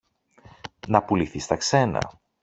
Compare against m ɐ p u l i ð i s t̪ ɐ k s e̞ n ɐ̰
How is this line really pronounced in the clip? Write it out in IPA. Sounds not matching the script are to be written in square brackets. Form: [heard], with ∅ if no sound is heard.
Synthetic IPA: [n] ɐ p u l i [θ] i s t̪ ɐ k s e̞ n ɐ̰